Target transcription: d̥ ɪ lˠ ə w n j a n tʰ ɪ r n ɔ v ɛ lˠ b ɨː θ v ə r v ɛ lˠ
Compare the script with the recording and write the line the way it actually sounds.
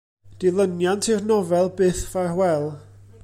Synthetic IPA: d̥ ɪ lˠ ə n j a n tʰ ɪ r n ɔ v ɛ lˠ b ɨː θ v a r w ɛ lˠ

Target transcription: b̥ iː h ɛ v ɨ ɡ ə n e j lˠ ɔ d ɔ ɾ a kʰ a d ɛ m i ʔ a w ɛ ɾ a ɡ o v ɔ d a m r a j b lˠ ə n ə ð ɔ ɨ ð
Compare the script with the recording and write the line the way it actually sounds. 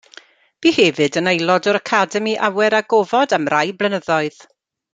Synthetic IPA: b̥ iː h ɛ v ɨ d ə n e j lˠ ɔ d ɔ ɾ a kʰ a d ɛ m i ʔ a w ɛ ɾ a ɡ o v ɔ d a m r a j b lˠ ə n ə ð ɔ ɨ ð

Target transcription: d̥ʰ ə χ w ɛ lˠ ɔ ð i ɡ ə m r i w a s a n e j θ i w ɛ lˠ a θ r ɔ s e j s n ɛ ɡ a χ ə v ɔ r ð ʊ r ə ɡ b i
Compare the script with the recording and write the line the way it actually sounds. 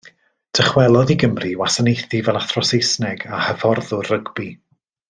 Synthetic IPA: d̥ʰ ə χ w ɛ lˠ ɔ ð i ɡ ə m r i w a s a n e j θ i v ɛ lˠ a θ r ɔ s e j s n ɛ ɡ a h ə v ɔ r ð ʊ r ə ɡ b i

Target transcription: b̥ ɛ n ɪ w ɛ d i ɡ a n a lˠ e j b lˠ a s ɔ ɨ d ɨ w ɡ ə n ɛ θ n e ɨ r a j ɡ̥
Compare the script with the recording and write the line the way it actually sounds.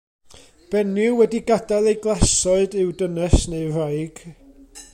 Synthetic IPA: b̥ ɛ n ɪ w ɛ d i ɡ a d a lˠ e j ɡ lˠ a s ɔ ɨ d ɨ w d ə n ɛ s n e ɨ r a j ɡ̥

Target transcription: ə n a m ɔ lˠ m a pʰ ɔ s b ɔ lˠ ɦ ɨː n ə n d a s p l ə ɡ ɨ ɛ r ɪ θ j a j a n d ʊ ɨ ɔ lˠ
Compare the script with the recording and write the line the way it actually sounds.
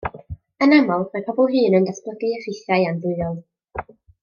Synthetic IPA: ə n a m ɔ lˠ m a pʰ ɔ b ɔ lˠ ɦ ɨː n ə n d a s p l ə ɡ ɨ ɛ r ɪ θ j a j a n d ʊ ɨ ɔ lˠ

